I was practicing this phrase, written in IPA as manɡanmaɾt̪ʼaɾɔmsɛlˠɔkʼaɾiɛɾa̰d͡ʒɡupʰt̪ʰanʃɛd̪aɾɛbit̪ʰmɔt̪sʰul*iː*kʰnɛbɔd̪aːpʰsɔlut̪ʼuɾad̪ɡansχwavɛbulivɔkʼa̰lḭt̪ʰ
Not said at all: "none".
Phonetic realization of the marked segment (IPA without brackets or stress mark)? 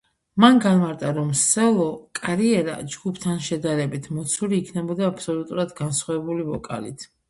iː